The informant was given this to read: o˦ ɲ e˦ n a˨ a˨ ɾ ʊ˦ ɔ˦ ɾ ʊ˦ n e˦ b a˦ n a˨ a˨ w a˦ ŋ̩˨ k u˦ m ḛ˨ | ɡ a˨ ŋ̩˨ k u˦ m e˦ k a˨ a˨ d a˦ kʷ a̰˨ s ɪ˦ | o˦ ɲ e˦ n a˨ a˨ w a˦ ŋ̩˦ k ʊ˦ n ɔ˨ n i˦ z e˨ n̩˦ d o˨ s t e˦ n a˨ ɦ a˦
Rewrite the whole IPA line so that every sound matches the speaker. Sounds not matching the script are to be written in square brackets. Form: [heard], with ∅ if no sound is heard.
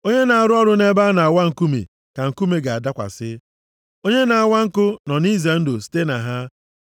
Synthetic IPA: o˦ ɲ e˦ n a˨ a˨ ɾ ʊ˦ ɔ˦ ɾ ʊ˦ n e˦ b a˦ n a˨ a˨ w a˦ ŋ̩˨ k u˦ m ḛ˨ | [k] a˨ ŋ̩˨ k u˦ m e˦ [ɡ] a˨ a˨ d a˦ kʷ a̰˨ s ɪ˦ | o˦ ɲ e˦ n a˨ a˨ w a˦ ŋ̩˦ k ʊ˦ n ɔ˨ n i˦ z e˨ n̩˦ d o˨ s t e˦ n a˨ ɦ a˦